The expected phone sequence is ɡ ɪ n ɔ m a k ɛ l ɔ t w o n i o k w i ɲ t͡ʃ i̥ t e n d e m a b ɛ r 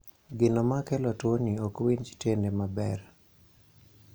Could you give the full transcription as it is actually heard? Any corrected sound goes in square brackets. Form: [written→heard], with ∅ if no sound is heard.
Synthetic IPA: ɡ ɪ n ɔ m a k ɛ l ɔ t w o n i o k w i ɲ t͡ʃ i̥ t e n d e m a b ɛ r